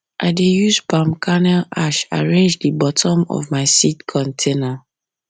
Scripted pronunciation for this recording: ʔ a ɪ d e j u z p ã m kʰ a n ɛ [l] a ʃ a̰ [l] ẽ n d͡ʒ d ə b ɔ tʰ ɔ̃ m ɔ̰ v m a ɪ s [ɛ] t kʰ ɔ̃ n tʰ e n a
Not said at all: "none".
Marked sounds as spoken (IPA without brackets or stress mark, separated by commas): l, ɹ, i